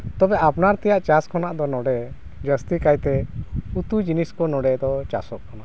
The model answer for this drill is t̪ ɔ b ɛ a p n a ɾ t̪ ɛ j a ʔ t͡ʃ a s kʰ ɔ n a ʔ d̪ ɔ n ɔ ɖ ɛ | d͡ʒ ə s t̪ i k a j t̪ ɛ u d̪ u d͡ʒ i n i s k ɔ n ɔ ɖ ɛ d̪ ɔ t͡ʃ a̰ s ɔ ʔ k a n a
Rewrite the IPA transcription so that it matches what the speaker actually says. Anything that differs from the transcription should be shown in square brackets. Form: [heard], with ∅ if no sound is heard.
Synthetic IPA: t̪ ɔ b ɛ a p n a ɾ t̪ ɛ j a ʔ t͡ʃ a s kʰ ɔ n a ʔ d̪ ɔ n ɔ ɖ ɛ | d͡ʒ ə s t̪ i k a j t̪ ɛ u [t̪] u d͡ʒ i n i s k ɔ n ɔ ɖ ɛ d̪ ɔ t͡ʃ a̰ s ɔ ʔ k a n a